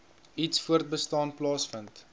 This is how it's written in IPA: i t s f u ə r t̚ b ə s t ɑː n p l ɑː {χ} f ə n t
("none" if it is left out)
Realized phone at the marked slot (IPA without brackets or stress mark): s